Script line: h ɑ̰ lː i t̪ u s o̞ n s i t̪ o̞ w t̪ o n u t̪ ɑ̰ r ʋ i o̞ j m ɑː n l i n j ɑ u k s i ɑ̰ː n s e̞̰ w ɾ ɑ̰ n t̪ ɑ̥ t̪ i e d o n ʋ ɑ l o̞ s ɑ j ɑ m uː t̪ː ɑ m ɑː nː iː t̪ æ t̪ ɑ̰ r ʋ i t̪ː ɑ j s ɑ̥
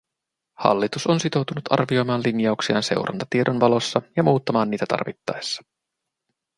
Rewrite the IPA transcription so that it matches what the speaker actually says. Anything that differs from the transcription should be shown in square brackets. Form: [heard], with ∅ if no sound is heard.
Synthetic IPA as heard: h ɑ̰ lː i t̪ u s o̞ n s i t̪ o̞ w t̪ [u] n u t̪ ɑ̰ r ʋ i o̞ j m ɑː n l i n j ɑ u k s i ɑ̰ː n s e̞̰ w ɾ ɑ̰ n t̪ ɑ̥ t̪ i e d o n ʋ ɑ l o̞ [sː] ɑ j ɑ m uː t̪ː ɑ m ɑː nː iː t̪ æ t̪ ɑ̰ r ʋ i t̪ː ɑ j [sː] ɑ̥